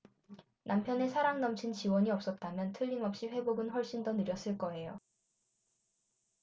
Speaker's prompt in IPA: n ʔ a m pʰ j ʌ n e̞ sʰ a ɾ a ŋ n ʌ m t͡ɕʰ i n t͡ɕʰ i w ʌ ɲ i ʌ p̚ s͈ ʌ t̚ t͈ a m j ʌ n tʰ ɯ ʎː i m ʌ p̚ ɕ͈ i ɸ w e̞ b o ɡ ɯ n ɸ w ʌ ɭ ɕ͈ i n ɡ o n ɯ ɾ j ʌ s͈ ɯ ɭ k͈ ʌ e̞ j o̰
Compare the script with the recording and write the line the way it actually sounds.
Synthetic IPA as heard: n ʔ a m pʰ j ʌ n e̞ sʰ a ɾ a ŋ n ʌ m t͡ɕʰ i n t͡ɕ i w ʌ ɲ i ʌ p̚ s͈ ʌ t̚ t͈ a m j ʌ n tʰ ɯ ʎː i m ʌ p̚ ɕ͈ i ɸ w e̞ b o ɡ ɯ n ɸ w ʌ ɭ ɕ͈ i n d o n ɯ ɾ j ʌ s͈ ɯ ɭ k͈ ʌ e̞ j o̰